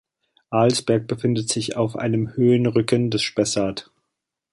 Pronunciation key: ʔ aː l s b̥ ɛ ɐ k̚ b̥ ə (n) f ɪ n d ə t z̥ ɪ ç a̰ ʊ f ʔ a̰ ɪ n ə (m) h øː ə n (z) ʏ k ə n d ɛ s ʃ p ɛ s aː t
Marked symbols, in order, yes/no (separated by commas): no, yes, no